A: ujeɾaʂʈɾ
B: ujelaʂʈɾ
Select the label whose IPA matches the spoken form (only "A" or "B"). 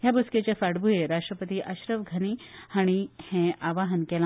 A